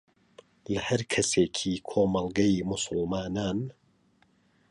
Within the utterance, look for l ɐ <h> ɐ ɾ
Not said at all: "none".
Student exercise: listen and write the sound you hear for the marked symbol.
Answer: h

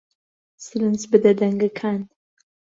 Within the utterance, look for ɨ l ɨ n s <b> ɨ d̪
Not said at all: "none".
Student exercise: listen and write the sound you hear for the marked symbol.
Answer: b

